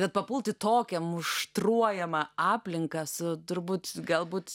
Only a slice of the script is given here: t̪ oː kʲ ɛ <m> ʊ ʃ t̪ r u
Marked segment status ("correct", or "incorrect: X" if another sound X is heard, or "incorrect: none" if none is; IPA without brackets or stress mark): correct